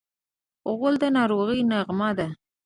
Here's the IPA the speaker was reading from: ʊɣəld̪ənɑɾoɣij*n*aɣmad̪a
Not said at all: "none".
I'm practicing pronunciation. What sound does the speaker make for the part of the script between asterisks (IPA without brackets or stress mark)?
n